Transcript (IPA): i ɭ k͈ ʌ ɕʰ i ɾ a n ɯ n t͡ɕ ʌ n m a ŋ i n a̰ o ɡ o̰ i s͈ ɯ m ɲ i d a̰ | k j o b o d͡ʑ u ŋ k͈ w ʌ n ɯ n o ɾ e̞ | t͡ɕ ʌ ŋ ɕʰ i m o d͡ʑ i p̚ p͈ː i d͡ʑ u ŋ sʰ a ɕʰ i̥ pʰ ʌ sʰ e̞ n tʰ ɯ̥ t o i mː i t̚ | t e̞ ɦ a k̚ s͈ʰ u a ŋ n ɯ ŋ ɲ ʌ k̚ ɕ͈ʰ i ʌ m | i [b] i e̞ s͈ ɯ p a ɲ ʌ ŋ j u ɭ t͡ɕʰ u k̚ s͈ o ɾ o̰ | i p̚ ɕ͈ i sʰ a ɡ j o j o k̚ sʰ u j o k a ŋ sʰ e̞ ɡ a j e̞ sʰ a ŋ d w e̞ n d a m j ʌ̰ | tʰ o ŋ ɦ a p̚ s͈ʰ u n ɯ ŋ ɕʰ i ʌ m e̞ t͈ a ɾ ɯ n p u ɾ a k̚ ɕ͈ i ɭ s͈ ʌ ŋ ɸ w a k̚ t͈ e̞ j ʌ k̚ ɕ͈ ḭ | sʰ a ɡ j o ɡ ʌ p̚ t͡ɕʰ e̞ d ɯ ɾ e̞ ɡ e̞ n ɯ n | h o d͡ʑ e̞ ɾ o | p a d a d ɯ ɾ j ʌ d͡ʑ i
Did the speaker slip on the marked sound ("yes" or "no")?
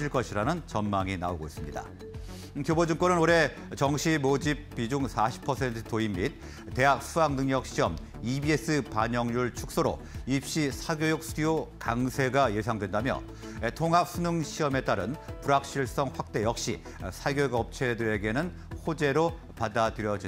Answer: no